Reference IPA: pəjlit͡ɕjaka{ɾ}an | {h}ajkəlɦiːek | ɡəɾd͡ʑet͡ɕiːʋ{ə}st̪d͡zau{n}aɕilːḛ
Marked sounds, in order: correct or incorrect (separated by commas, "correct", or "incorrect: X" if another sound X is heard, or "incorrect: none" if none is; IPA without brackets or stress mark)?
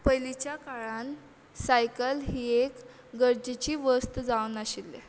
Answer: incorrect: ɭ, incorrect: s, correct, correct